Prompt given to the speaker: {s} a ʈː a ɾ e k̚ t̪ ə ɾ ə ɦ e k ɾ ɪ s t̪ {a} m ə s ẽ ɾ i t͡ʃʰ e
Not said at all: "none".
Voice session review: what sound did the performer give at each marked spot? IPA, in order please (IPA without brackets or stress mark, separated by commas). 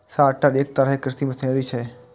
s, i